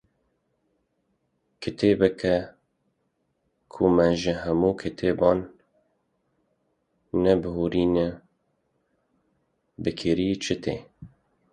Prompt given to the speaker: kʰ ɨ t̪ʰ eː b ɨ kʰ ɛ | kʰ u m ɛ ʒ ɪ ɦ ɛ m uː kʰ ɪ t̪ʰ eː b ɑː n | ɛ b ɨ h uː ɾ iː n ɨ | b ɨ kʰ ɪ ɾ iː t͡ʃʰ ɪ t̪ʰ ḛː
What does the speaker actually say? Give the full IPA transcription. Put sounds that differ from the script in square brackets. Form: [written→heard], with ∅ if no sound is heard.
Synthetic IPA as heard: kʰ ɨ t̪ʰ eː b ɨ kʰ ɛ | kʰ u m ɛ ʒ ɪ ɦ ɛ m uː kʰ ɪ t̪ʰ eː b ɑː n | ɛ b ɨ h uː ɾ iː n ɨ | b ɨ kʰ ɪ ɾ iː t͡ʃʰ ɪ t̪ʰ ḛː